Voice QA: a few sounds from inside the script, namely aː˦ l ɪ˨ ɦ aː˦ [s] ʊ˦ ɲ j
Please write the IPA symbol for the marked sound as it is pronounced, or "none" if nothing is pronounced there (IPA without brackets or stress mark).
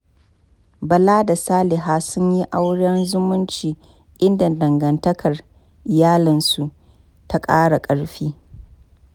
s